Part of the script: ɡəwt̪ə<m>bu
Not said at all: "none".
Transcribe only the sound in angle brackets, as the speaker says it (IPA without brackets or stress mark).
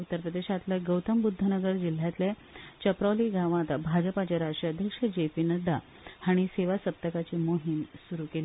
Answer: m